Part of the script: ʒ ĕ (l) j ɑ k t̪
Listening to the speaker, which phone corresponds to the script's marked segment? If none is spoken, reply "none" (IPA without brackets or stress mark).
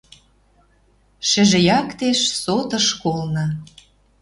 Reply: none